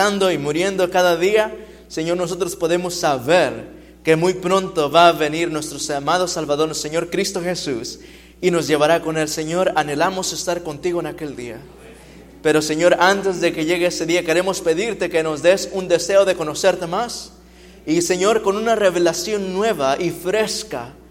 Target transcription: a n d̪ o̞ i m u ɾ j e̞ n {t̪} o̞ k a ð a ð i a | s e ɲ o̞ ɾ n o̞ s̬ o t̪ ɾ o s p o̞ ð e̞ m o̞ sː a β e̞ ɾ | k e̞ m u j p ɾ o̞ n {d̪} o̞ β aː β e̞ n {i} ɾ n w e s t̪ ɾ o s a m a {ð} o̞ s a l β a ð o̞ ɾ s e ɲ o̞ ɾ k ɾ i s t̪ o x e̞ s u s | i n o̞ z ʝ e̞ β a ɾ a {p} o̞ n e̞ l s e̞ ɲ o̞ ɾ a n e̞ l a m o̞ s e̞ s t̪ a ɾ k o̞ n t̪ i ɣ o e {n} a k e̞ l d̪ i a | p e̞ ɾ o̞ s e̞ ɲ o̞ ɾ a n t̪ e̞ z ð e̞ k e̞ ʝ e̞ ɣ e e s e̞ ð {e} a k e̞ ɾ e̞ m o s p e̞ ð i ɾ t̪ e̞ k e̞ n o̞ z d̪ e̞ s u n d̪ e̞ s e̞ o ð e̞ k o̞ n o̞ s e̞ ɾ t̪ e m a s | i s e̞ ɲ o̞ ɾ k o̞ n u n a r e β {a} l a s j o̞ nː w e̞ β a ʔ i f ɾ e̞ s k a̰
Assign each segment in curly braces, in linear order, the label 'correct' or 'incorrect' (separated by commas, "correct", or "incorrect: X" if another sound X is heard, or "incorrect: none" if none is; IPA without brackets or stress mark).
incorrect: d̪, incorrect: t̪, correct, correct, incorrect: k, correct, incorrect: i, incorrect: e